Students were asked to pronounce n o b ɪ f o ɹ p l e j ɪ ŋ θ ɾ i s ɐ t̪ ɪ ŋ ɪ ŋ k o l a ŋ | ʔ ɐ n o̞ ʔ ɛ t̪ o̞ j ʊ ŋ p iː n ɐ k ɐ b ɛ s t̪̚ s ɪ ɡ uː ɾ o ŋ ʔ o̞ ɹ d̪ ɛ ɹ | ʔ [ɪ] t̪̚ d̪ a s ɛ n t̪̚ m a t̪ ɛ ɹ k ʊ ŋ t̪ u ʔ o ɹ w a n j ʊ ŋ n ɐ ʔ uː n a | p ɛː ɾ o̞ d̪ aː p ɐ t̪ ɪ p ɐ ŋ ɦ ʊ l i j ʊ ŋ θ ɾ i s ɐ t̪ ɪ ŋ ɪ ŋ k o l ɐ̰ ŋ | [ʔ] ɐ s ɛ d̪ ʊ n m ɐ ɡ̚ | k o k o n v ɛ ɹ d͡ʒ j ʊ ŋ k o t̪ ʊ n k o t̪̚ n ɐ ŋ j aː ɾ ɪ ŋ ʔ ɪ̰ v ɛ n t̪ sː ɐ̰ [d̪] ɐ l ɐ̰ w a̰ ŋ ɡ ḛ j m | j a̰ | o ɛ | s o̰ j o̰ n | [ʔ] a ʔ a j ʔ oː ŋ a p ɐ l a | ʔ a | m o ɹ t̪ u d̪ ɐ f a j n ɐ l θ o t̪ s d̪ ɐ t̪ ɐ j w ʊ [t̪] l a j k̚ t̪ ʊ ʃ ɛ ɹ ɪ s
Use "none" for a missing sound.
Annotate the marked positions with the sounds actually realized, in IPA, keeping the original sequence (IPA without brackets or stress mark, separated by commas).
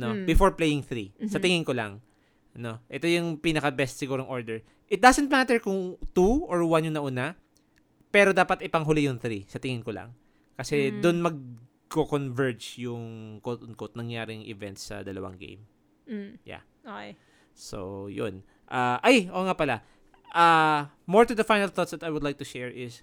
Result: ɪ, k, d̪, ʔ, d̪